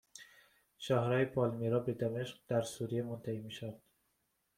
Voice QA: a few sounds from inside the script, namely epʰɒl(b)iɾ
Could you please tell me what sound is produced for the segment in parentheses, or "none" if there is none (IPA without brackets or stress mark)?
m